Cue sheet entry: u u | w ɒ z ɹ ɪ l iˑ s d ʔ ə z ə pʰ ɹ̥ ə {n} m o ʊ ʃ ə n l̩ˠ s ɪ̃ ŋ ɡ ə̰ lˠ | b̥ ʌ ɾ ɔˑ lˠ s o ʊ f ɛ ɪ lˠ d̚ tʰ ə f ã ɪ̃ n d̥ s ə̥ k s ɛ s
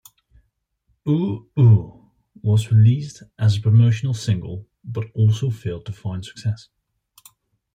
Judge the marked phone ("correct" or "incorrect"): incorrect